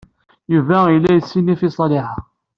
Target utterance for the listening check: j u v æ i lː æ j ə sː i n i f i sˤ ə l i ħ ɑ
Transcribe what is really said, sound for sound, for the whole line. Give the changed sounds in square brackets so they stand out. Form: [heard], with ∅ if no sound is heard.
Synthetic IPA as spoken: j u v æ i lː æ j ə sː i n i f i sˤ [ɑ] l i ħ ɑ